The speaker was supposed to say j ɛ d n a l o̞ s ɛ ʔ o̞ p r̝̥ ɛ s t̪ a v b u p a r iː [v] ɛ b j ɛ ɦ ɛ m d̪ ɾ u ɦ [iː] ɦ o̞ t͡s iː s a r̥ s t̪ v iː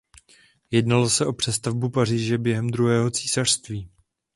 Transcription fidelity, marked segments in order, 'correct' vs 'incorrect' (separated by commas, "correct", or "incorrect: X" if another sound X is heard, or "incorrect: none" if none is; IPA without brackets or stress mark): incorrect: ʒ, incorrect: ɛː